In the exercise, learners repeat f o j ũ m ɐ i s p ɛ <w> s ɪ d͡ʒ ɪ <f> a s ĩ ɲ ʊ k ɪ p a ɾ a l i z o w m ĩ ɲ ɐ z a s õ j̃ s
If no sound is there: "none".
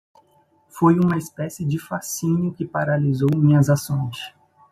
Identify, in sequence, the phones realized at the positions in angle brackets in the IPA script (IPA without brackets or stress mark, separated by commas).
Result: none, f